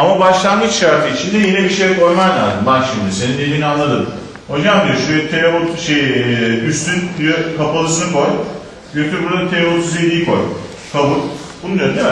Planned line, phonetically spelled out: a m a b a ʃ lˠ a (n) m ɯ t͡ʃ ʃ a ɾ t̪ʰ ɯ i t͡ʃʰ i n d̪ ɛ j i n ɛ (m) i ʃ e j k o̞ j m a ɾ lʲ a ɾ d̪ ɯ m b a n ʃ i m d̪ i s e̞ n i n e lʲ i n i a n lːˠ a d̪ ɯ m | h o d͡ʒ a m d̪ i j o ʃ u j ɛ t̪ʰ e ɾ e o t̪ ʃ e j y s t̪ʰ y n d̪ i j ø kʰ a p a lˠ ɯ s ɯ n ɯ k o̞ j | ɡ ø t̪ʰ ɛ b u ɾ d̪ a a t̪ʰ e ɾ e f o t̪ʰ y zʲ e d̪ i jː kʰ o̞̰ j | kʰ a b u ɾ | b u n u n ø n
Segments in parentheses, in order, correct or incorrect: correct, incorrect: b

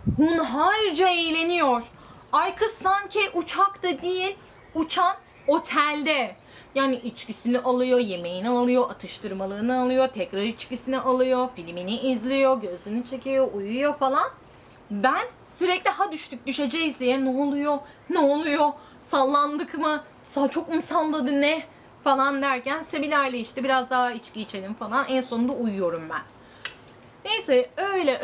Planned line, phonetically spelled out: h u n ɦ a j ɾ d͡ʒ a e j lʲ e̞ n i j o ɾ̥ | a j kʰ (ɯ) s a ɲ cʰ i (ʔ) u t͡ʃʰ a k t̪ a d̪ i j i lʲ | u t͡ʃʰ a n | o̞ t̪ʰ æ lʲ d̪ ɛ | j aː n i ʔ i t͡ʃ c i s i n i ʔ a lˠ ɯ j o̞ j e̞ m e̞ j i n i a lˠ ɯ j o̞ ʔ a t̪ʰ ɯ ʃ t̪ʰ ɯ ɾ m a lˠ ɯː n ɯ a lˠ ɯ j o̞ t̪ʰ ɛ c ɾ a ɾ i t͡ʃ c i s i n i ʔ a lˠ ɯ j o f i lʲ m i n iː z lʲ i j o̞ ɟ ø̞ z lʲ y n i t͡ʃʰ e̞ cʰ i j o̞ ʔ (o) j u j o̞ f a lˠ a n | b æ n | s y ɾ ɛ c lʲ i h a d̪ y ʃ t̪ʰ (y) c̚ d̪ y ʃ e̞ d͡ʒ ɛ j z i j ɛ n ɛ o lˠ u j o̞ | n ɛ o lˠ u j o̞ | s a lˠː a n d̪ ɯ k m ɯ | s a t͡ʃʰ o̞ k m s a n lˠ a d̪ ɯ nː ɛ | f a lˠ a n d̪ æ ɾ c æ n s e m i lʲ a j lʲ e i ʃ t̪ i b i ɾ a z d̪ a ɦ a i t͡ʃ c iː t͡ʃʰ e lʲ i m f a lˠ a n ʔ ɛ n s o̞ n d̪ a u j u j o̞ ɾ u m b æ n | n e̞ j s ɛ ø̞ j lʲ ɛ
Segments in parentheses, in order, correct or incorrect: correct, correct, incorrect: u, correct

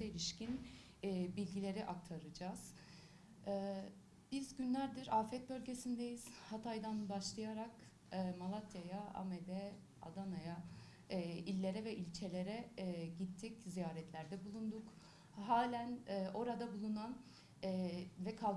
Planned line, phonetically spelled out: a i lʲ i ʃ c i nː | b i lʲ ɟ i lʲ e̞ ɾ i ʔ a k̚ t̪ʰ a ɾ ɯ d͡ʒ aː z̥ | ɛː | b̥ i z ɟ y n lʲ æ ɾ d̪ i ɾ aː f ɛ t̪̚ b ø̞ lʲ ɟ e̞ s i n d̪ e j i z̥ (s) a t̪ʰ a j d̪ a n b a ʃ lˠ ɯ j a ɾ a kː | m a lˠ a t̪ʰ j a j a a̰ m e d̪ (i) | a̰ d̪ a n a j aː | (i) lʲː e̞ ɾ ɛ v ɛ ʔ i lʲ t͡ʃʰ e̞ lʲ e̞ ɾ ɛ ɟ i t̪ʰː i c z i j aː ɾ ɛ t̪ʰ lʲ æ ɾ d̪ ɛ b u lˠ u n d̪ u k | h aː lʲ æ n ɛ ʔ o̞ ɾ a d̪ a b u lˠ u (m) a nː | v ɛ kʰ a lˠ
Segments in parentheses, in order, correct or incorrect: incorrect: h, incorrect: ɛ, correct, incorrect: n

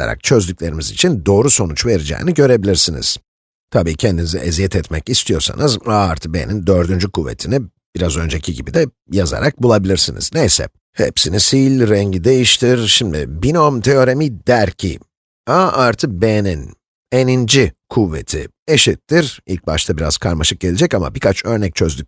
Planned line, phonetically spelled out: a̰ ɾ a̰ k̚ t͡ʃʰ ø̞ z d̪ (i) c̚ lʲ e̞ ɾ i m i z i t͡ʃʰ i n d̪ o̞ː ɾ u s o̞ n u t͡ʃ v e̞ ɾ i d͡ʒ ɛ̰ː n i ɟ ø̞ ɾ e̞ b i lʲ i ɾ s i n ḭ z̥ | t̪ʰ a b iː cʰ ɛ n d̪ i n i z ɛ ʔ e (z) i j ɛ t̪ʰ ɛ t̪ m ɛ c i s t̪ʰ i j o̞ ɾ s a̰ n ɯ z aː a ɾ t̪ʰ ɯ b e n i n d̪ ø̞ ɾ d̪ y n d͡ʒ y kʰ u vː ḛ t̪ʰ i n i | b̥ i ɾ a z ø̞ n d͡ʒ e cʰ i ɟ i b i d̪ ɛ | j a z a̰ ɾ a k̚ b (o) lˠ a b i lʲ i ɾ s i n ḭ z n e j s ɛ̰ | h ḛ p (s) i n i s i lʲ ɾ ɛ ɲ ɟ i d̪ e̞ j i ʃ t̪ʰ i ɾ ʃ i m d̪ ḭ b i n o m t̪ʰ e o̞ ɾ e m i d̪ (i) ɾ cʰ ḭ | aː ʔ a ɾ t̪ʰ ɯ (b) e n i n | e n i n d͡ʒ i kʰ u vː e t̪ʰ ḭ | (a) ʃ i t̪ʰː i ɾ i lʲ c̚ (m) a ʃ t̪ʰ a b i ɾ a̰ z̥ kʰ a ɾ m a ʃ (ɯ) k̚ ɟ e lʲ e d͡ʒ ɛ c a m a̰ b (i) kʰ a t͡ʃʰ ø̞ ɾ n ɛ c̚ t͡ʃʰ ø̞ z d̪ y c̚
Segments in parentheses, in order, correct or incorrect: incorrect: y, correct, incorrect: u, correct, incorrect: æ, correct, incorrect: e, incorrect: b, correct, correct

